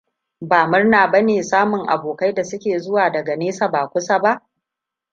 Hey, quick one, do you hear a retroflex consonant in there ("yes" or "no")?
no